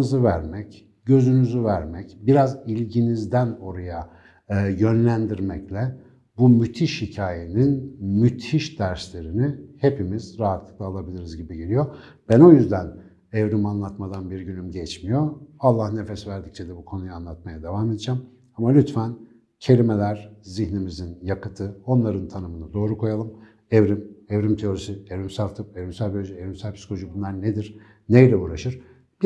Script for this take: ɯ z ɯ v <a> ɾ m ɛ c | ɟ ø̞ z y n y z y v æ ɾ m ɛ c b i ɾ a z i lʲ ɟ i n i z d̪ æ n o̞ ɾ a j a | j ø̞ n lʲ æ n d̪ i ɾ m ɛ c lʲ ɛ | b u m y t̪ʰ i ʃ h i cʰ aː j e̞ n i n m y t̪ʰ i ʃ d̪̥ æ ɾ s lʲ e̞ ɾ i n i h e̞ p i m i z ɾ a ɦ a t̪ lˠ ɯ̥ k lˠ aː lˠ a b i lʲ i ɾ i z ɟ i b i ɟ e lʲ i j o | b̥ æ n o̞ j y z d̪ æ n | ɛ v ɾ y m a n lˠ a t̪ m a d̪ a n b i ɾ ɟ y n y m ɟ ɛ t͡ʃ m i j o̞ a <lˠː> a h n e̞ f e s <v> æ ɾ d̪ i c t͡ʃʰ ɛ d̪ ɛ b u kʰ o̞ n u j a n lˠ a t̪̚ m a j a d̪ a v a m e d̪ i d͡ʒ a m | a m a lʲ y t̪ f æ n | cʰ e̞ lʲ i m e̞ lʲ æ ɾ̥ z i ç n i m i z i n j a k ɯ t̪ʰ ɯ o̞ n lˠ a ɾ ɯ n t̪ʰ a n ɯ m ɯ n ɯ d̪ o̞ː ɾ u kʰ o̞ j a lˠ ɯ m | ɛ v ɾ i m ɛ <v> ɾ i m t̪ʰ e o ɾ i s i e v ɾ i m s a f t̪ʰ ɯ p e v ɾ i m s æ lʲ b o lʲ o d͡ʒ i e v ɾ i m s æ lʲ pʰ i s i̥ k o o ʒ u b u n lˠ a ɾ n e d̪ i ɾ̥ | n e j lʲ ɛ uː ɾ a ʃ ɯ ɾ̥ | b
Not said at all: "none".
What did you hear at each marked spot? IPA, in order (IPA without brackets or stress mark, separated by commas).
æ, lˠː, v, v